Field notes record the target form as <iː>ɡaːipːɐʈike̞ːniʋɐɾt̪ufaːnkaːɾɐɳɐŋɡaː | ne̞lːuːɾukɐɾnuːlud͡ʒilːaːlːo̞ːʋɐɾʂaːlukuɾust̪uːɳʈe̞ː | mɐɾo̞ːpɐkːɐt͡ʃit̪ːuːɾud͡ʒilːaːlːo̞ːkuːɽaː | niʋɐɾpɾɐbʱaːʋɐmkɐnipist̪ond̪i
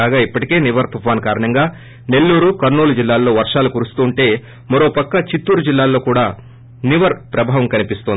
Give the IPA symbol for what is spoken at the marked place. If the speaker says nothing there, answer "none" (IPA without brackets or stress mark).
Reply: aː